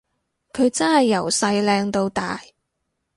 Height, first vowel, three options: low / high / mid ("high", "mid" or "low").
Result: mid